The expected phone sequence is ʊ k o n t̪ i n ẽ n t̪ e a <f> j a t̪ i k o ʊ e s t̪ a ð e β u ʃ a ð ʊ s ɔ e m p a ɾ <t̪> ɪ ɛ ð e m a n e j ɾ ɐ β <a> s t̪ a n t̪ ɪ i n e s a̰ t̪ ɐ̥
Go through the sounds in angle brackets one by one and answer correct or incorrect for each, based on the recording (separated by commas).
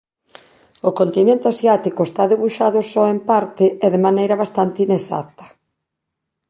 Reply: incorrect, correct, correct